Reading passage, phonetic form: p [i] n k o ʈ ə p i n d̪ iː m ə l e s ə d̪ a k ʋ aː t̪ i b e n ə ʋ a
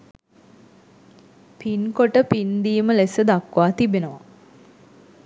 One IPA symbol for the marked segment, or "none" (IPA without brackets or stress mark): i